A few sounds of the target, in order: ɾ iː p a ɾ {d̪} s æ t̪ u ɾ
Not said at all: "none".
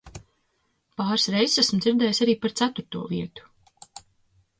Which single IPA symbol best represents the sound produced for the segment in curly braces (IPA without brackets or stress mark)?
t̪